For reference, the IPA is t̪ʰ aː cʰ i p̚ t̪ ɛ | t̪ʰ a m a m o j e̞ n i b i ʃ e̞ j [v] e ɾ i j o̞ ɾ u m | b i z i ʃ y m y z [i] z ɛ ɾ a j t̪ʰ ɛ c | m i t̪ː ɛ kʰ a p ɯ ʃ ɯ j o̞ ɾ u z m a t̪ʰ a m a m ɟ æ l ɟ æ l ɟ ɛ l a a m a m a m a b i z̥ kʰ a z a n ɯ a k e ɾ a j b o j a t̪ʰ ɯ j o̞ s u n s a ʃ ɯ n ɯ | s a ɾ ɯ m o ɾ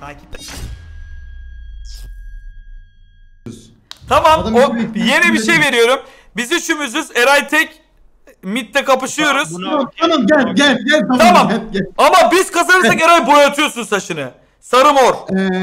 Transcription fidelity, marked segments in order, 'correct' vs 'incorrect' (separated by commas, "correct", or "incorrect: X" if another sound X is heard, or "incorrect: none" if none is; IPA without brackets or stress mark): correct, incorrect: y